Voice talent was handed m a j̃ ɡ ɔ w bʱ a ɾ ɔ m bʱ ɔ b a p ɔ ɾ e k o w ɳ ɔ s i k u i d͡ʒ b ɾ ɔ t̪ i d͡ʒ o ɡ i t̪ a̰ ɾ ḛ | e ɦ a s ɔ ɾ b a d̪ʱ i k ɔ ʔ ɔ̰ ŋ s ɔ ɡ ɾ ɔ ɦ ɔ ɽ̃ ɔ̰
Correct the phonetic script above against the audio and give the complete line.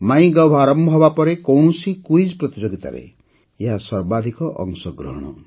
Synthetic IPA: m a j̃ ɡ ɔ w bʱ a ɾ ɔ m bʱ ɔ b a p ɔ ɾ e k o w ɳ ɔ s i k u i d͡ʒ p ɾ ɔ t̪ i d͡ʒ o ɡ i t̪ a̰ ɾ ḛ | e ɦ a s ɔ ɾ b a d̪ʱ i k ɔ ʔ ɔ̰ ŋ s ɔ ɡ ɾ ɔ ɦ ɔ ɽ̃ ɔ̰